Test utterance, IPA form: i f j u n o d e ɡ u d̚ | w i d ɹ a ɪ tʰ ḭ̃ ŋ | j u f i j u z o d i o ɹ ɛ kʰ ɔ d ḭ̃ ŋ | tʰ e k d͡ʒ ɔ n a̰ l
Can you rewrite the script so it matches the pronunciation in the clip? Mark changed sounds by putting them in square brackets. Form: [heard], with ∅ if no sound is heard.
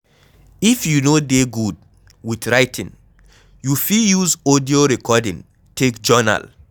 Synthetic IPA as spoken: i f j u n o d e ɡ u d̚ | w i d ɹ a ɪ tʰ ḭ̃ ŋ | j u f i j u z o d i o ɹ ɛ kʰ ɔ d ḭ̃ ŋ | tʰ e k d͡ʒ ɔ n a̰ l